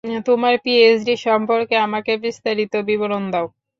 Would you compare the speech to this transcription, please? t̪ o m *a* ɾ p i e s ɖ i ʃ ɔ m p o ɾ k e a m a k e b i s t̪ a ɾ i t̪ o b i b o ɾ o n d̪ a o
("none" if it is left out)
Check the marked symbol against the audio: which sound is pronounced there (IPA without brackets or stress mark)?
a